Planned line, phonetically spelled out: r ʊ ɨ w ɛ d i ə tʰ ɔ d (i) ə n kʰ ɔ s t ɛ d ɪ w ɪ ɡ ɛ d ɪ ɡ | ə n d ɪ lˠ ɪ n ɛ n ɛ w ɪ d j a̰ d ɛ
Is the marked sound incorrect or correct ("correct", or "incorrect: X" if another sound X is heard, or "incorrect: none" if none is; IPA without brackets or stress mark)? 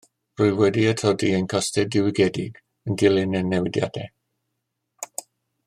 correct